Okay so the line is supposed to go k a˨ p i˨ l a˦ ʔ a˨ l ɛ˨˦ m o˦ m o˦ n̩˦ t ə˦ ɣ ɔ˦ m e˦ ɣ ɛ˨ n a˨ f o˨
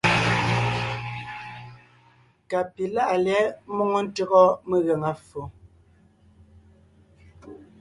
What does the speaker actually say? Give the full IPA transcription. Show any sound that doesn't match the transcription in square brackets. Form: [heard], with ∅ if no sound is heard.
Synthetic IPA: k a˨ p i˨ l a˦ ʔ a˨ l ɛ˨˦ m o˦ [ŋ] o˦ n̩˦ t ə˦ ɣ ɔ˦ m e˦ ɣ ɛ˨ [ŋ] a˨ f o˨